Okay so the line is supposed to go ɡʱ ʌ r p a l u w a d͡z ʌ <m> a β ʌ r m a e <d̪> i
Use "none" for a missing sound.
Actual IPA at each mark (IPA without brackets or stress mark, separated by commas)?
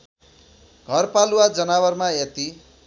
n, t̪